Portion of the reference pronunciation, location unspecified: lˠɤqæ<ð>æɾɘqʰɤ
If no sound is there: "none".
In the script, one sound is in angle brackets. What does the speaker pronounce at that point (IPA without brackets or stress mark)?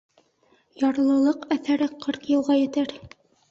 θ